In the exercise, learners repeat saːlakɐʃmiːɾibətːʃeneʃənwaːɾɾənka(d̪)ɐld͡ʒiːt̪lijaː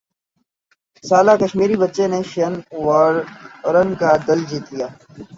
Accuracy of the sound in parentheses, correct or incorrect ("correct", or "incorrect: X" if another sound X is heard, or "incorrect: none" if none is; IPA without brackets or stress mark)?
correct